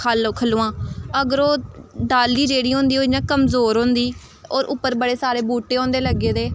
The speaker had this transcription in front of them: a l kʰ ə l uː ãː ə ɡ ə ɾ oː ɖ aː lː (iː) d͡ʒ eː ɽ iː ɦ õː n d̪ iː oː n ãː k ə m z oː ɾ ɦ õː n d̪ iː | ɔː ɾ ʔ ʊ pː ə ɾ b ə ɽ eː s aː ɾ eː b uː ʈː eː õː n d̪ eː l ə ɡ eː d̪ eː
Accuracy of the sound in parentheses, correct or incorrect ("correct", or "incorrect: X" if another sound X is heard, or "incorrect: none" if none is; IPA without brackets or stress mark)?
correct